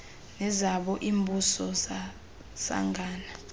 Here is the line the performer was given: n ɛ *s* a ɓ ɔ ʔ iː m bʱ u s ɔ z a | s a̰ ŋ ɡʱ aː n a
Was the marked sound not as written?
yes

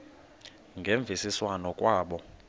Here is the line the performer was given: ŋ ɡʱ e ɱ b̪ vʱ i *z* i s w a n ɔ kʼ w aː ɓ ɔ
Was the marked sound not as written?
yes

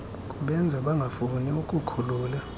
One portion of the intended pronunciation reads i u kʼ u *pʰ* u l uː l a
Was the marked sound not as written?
yes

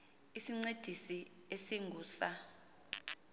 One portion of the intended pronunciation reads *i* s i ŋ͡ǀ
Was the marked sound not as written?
no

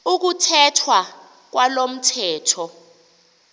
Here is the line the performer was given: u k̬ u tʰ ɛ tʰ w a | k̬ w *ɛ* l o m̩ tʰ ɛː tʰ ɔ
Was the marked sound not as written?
yes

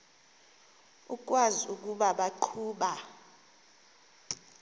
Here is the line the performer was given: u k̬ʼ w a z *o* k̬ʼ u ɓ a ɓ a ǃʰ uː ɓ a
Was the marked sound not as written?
yes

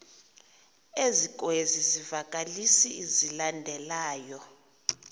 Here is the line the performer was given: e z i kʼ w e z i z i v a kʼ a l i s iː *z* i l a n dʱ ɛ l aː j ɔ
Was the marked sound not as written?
no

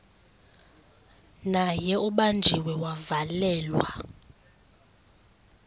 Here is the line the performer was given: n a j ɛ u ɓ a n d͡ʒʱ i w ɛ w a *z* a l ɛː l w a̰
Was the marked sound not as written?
yes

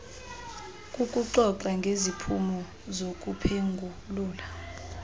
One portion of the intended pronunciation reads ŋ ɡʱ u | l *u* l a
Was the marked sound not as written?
yes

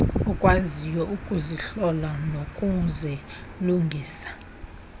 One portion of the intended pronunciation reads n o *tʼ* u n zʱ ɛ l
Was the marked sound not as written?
yes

